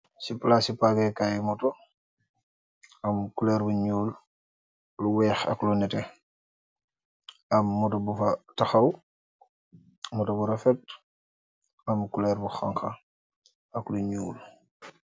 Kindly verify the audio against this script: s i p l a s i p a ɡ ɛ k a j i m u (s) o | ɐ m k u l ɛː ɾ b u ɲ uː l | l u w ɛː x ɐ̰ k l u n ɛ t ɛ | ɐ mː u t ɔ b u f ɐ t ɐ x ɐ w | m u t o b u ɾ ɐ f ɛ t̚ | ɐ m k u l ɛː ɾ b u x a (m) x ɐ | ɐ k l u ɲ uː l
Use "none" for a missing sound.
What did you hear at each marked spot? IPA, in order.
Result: t, ŋ

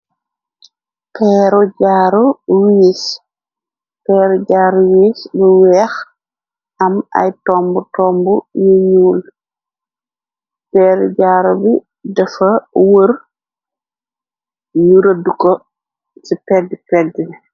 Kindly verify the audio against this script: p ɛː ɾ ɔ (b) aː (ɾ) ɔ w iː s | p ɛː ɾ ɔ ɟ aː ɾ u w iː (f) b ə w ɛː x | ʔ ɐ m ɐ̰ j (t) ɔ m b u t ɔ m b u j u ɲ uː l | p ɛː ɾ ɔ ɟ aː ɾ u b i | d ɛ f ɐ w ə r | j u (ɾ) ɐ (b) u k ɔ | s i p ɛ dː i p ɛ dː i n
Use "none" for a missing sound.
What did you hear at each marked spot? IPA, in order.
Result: ɟ, ɾ, s, t, ɾ, d

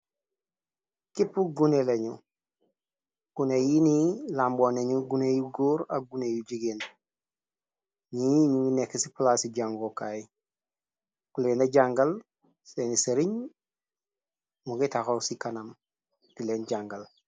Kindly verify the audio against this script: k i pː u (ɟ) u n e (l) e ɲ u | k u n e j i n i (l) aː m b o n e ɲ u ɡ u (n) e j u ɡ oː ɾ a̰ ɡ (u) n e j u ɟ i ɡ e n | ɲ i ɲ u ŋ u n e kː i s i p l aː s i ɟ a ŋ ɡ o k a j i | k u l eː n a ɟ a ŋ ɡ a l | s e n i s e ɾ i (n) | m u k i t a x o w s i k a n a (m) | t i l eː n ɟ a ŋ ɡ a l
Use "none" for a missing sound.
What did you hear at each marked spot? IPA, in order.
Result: ɡ, l, l, n, u, ɲ, m

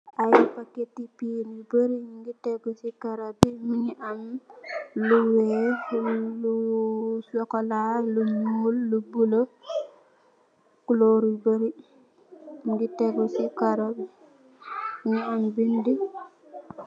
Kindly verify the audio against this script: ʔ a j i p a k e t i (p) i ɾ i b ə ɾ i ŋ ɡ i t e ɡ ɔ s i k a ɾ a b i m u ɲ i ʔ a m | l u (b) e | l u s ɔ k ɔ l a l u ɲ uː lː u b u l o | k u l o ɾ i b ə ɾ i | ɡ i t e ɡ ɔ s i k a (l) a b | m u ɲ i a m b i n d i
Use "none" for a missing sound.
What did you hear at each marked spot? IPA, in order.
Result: p, w, ɾ

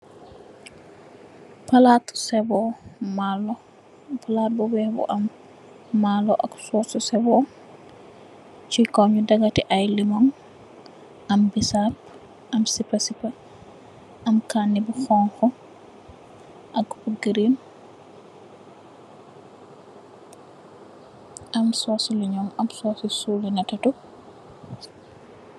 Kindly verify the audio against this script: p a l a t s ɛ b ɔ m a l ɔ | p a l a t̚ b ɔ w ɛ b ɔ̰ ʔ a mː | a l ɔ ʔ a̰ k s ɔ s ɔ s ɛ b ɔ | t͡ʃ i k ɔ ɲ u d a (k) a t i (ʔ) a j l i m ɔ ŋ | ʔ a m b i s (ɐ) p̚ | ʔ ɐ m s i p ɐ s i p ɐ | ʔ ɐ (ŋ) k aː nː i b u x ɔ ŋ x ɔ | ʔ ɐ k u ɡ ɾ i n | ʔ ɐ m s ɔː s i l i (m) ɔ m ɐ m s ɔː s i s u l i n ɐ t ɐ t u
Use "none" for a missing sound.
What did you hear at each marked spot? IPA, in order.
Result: ɡ, ʔ, a, m, ɲ

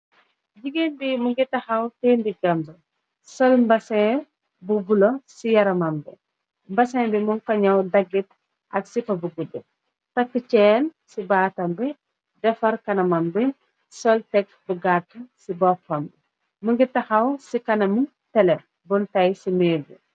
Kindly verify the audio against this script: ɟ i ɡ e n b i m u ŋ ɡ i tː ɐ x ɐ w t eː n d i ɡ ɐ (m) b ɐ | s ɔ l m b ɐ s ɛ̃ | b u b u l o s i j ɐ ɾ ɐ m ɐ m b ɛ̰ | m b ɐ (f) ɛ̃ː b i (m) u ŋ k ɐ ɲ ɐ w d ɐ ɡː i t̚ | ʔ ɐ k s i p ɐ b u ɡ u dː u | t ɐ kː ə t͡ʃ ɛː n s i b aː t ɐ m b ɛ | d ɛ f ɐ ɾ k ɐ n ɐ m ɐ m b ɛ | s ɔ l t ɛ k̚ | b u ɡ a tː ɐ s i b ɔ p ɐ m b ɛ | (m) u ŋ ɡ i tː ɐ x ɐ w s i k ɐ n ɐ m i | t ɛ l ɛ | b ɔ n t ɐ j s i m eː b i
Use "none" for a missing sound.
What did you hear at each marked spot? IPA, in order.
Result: m, s, m, m

